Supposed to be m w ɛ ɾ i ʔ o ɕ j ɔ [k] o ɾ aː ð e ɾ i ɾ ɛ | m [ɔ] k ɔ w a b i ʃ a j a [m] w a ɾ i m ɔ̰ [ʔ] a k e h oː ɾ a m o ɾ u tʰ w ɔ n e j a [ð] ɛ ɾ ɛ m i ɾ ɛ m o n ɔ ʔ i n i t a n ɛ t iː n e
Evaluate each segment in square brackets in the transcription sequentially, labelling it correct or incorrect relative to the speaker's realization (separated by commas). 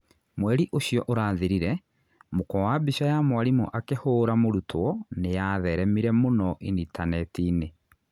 incorrect, incorrect, correct, correct, correct